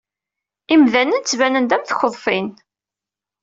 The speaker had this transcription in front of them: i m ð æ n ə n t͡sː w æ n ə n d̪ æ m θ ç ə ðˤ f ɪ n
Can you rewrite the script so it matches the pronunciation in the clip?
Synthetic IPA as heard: i m ð æ n ə n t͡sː v æ n ə n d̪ æ m θ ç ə ðˤ f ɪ n